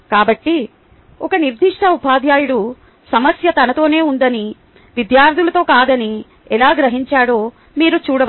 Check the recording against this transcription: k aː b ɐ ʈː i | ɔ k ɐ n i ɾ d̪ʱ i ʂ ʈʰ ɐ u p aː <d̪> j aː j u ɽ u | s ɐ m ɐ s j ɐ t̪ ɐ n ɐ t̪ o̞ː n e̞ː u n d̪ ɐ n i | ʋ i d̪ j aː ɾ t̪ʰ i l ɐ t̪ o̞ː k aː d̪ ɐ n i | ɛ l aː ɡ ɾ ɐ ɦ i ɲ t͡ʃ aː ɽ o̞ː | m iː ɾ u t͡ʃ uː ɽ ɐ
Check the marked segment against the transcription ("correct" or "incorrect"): correct